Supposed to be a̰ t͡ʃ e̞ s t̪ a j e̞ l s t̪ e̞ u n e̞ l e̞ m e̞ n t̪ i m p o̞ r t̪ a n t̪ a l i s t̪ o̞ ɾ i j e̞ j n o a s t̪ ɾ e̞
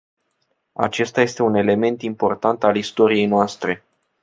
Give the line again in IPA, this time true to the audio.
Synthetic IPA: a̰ t͡ʃ e̞ s t̪ a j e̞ s t̪ e̞ u n e̞ l e̞ m e̞ n t̪ i m p o̞ r t̪ a n t̪ a l i s t̪ o̞ ɾ i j e̞ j n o a s t̪ ɾ e̞